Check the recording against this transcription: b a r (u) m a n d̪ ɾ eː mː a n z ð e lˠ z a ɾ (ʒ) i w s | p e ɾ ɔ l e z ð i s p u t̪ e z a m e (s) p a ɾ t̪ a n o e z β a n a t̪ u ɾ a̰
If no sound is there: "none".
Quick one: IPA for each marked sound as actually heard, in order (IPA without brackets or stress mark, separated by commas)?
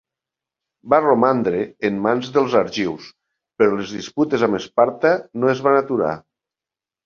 o, ʒ, s